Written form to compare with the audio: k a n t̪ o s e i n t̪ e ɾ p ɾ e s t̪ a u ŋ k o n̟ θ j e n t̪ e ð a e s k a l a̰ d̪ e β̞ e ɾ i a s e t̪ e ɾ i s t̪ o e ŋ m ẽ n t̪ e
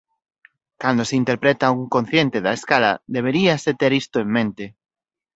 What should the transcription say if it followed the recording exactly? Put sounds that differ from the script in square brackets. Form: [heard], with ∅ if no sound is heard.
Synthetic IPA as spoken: k a n [d̪] o s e i n t̪ e ɾ p ɾ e [∅] t̪ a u ŋ k o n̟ θ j e n t̪ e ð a e s k a l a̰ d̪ e β̞ e ɾ i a s e t̪ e ɾ i s t̪ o e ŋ m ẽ n t̪ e